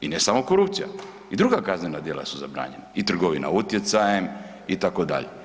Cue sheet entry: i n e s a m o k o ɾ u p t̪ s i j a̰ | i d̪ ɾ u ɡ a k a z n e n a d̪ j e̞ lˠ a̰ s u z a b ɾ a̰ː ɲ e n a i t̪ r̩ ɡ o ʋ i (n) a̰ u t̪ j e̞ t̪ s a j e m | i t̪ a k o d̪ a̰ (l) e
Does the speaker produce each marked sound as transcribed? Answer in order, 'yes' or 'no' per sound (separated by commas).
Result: yes, no